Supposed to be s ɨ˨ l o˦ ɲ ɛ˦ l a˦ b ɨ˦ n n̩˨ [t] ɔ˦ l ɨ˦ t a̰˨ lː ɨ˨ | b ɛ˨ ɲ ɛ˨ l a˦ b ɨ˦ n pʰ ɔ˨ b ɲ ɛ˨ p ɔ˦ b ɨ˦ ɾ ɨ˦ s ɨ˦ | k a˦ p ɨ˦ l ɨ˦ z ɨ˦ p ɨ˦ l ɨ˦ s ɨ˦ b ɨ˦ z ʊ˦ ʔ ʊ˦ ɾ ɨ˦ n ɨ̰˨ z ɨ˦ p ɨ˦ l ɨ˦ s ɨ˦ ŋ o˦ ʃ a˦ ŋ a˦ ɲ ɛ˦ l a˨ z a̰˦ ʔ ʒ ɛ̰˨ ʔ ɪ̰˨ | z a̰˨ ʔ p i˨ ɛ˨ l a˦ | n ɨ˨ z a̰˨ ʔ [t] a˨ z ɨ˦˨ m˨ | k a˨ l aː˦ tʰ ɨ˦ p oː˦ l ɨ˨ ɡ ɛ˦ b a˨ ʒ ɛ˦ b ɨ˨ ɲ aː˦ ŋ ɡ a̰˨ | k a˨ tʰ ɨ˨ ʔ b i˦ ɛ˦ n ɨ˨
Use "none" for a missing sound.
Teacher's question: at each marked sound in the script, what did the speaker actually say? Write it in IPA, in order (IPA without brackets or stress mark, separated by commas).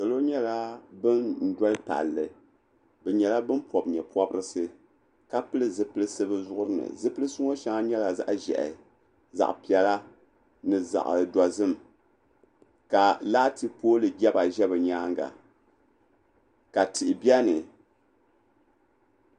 d, d